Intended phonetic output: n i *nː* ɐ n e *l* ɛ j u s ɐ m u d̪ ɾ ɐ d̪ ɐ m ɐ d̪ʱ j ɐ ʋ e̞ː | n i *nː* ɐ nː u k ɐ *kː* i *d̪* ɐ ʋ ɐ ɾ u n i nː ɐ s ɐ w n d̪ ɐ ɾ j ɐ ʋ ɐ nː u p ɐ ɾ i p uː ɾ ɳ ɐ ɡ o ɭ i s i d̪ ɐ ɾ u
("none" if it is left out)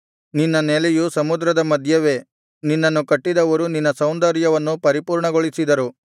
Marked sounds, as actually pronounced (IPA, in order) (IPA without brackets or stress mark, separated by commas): nː, l, nː, ʈː, d̪